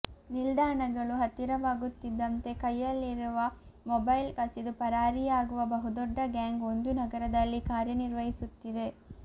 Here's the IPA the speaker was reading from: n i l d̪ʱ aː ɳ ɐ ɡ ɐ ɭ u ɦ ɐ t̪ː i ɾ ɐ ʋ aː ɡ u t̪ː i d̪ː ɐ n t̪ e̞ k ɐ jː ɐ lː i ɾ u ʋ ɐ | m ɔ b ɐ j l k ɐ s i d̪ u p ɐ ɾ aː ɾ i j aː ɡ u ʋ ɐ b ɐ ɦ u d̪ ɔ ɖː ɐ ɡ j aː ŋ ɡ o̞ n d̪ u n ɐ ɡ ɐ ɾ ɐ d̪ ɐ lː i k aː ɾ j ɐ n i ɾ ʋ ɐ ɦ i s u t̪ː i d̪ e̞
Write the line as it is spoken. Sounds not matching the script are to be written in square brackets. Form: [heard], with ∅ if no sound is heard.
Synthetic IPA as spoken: n i l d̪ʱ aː ɳ ɐ ɡ ɐ ɭ u ɦ ɐ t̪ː i ɾ ɐ ʋ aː ɡ u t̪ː i d̪ː ɐ n t̪ e̞ k ɐ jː ɐ lː i ɾ u ʋ ɐ | m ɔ b ɐ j l k ɐ s i d̪ u p ɐ ɾ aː ɾ i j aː ɡ u ʋ ɐ b ɐ ɦ u d̪ ɔ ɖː ɐ ɡ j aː ŋ ɡ o̞ n d̪ u n ɐ ɡ ɐ ɾ ɐ d̪ ɐ lː i k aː ɾ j ɐ n i ɾ ʋ ɐ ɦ i s u t̪ː i d̪ e̞